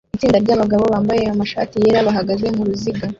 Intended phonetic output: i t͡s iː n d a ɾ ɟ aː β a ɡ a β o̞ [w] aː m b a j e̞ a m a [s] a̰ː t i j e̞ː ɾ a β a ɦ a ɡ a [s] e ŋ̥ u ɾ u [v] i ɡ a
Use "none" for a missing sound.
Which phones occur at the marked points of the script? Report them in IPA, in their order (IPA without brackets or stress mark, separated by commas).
β, ʃ, z, z